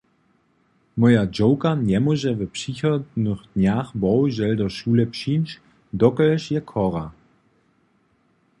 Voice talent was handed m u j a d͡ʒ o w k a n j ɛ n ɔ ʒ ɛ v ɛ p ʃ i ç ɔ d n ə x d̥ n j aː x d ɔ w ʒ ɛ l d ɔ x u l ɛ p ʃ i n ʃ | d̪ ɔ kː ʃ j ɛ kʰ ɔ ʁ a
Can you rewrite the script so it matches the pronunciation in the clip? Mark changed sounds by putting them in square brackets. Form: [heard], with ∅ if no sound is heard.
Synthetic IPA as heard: m [ɔ] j a d͡ʒ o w k a n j ɛ [m] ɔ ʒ ɛ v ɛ p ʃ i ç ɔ d n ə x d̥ n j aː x [b] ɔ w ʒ ɛ l d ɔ [ʃ] u l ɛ p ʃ i n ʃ | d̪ ɔ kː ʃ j ɛ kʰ ɔ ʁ a